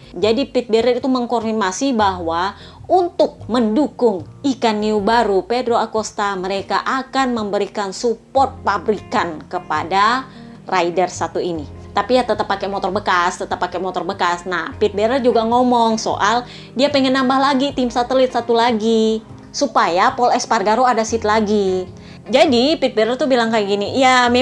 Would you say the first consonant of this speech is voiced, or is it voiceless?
voiced